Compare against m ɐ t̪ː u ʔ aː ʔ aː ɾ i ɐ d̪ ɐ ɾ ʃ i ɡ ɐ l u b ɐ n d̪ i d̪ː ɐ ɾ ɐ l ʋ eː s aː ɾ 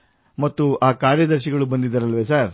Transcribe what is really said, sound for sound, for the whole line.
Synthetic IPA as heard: m ɐ t̪ː u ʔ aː k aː ɾ j ɐ d̪ ɐ ɾ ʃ i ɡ ɐ ɭ u b ɐ n d̪ i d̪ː ɐ ɾ ɐ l ʋ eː s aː ɾ

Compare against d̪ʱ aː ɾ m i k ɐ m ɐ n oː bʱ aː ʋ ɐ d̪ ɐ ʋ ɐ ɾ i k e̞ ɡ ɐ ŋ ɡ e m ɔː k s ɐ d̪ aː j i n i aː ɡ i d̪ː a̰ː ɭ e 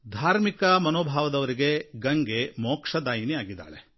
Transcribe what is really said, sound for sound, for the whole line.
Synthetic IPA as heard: d̪ʱ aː ɾ m i k ɐ m ɐ n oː bʱ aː ʋ ɐ d̪ ɐ ʋ ɐ ɾ i ɡ e̞ ɡ ɐ ŋ ɡ e m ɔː k ʂ ɐ d̪ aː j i n i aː ɡ i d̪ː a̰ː ɭ e

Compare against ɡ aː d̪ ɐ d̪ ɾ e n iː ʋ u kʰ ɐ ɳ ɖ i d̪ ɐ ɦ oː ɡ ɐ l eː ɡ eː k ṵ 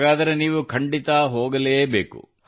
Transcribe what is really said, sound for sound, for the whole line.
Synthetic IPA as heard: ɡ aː d̪ ɐ ɾ e n iː ʋ u kʰ ɐ ɳ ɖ i t̪ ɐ ɦ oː ɡ ɐ l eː b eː k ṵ

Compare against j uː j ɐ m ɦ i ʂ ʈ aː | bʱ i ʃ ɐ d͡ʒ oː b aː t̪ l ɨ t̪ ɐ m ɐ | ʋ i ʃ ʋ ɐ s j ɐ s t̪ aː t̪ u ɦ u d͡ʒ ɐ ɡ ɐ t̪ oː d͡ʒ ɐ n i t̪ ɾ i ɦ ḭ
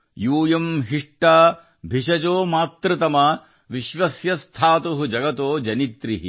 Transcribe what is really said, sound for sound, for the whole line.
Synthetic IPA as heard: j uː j ɐ m ɦ i ʂ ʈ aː | bʱ i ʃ ɐ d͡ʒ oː m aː t̪ ɾ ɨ t̪ ɐ m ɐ | ʋ i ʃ ʋ ɐ s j ɐ s t̪ʰ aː t̪ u ɦ u d͡ʒ ɐ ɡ ɐ t̪ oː d͡ʒ ɐ n i t̪ ɾ i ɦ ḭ

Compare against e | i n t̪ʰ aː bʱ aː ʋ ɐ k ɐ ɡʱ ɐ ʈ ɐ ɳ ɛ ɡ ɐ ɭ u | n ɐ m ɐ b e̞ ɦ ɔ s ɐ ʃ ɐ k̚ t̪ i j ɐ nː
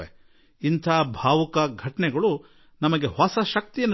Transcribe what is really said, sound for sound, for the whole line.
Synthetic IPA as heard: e | i n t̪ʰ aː bʱ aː ʋ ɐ k ɐ ɡʱ ɐ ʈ ɐ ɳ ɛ ɡ ɐ ɭ u | n ɐ m ɐ ɡ e̞ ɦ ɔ s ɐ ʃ ɐ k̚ t̪ i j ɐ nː

